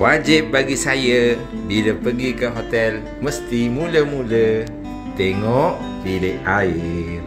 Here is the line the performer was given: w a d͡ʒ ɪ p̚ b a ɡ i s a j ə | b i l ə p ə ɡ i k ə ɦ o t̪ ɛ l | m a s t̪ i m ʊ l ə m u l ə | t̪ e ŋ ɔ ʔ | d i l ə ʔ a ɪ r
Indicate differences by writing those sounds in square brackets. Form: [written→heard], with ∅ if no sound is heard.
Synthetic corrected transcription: w a d͡ʒ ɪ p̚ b a ɡ i s a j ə | b i l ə p ə ɡ i k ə ɦ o t̪ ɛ l | m [a→ə] s t̪ i m [ʊ→u] l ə m u l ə | t̪ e ŋ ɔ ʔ | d i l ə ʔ a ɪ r